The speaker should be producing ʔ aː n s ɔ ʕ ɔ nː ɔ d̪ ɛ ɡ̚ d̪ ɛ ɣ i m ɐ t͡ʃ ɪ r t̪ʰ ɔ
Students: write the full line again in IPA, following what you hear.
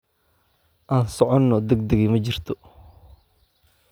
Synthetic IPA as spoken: ʔ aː n s ɔ ʕ ɔ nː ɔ d̪ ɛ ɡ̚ d̪ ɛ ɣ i m ɐ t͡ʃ ɪ r t̪ʰ ɔ